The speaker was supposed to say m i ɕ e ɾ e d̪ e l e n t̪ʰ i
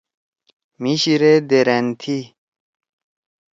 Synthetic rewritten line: m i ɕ i ɾ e d̪ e ɾ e n t̪ʰ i

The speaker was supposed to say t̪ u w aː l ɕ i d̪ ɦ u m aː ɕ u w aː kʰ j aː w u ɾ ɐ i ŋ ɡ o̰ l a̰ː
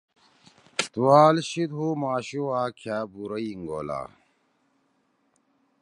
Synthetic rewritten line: t̪ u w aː l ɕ i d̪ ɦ u m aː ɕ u w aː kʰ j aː b u ɾ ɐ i ŋ ɡ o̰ l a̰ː

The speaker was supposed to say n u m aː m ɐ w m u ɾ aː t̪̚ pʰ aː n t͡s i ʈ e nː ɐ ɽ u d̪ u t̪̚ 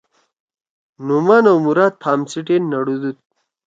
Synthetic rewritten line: n u m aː n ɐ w m u ɾ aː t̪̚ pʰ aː m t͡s i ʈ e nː ɐ ɽ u d̪ u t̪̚

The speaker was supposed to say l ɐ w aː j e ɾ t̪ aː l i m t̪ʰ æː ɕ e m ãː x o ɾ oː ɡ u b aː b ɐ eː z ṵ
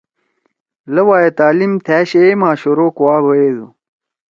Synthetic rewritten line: l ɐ w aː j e t̪ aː l i m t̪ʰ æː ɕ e m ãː ɕ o ɾ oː k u w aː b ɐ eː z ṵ

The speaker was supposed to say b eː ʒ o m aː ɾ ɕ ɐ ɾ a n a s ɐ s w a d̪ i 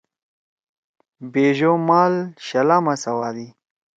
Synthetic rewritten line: b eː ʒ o m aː l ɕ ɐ l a m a s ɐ w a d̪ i

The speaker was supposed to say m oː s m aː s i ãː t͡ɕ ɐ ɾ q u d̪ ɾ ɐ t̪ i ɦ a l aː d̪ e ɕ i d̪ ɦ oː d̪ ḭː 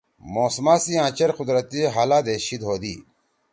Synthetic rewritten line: m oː s m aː s i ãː t͡ɕ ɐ ɾ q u d̪ ɾ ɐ t̪ i ɦ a l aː d̪ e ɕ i d̪ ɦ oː d̪ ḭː

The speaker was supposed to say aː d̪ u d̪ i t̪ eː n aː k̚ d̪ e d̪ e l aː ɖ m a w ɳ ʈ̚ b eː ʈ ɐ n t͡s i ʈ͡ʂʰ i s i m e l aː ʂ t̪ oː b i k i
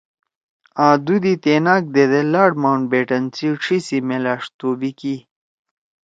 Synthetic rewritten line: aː d̪ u d̪ i t̪ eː n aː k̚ d̪ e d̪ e l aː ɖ m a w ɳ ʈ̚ b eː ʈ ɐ n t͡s i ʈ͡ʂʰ i s i m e l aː ʂ t̪ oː b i k i

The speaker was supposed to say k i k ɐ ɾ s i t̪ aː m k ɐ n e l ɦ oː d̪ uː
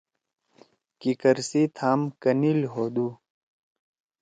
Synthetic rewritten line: k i k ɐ ɾ s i t̪ʰ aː m k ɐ n i l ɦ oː d̪ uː

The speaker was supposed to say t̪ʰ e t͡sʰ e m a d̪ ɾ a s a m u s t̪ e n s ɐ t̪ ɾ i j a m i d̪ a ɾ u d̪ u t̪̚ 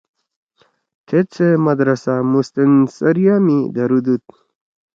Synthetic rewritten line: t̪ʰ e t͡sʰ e m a d̪ ɾ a s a m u s t̪ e n s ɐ ɾ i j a m i d̪ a ɾ u d̪ u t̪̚

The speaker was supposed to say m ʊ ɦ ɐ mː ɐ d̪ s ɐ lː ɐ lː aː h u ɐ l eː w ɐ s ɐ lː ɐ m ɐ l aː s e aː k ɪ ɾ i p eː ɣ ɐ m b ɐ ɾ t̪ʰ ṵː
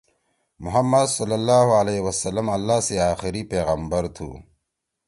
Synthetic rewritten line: m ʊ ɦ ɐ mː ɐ d̪ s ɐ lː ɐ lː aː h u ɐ l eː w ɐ s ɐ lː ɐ m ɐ lː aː s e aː x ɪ ɾ i p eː ɣ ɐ m b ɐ ɾ t̪ʰ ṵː

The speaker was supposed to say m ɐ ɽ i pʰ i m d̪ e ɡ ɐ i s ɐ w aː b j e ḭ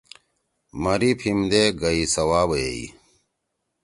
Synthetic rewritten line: m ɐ ɾ i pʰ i m d̪ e ɡ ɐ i s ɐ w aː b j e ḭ

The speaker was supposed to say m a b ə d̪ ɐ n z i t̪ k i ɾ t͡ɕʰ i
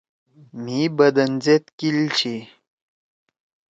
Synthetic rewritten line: m i b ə d̪ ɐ n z e t̪ k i l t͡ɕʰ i

